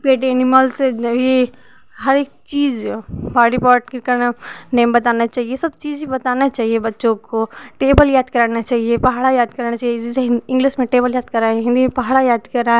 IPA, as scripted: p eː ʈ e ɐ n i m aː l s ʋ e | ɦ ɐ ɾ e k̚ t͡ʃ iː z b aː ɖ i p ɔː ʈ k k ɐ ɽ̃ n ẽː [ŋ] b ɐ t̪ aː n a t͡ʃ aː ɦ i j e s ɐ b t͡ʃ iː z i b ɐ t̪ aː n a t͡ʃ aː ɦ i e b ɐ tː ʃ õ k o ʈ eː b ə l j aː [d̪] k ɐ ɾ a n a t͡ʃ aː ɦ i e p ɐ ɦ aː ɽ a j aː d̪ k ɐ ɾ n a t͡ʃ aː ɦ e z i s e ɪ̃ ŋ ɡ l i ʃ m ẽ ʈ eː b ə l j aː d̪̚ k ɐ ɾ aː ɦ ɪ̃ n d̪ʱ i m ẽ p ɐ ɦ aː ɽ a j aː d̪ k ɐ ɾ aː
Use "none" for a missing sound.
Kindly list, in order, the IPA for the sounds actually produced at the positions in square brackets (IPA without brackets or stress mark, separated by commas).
m, d̪